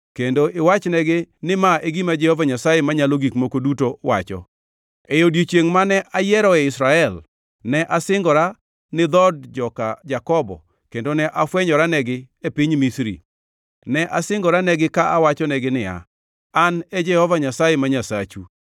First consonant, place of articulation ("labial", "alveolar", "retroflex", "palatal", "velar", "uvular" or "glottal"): velar